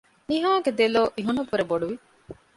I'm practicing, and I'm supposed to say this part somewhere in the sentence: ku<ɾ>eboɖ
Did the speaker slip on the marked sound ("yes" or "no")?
no